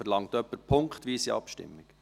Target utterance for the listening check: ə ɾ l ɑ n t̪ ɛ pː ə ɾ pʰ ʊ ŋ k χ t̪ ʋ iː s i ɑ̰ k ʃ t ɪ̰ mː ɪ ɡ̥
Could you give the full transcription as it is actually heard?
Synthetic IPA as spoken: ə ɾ l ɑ ŋ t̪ œ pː ə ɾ pʰ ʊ ŋ k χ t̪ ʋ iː s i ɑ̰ p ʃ t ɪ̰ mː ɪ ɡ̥